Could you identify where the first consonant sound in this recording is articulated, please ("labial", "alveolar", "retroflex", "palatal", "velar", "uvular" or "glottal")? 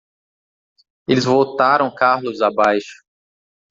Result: alveolar